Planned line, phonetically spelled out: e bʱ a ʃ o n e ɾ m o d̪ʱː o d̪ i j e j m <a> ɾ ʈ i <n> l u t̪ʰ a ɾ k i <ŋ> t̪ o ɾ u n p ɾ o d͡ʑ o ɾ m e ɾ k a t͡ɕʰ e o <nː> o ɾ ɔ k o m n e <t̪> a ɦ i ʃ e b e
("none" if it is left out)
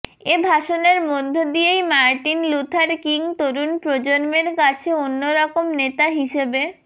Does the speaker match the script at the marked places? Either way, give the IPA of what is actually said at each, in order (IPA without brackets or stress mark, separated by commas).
a, n, ŋ, nː, t̪